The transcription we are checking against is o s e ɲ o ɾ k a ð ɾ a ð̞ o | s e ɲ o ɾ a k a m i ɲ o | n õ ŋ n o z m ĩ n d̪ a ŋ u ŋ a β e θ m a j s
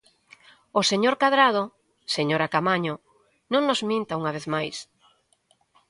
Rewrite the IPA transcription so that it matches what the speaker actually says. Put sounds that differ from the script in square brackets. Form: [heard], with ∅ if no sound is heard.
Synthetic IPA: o s e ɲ o ɾ k a ð ɾ a ð̞ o | s e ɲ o ɾ a k a m [a] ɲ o | n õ ŋ n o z m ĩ n [t̪] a [∅] u ŋ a β e θ m a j s